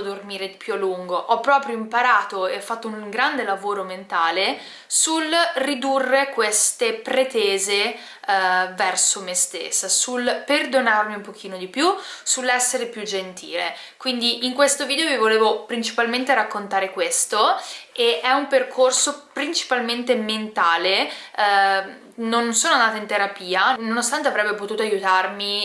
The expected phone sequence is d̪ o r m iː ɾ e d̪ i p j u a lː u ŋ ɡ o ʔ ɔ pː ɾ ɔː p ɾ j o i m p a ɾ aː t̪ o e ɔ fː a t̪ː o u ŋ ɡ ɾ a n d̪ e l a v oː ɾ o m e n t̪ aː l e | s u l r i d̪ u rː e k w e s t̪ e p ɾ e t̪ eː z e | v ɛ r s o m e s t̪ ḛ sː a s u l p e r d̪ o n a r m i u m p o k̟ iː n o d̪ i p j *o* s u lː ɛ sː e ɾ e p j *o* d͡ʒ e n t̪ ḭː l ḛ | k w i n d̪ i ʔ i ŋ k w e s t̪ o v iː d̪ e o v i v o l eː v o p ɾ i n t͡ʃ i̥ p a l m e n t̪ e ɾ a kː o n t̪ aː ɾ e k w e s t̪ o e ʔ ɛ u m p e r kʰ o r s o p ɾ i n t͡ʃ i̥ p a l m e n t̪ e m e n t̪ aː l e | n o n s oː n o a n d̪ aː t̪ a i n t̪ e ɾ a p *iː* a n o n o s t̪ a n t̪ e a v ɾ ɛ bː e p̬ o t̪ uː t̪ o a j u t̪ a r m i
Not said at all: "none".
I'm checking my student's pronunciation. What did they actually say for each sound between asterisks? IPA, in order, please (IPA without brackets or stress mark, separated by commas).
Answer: u, u, iː